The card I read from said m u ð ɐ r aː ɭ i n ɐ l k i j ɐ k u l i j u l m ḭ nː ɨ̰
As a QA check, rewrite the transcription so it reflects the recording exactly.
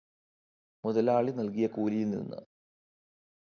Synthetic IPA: m u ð ɐ l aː ɭ i n ɐ l k i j ɐ k uː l i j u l n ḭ nː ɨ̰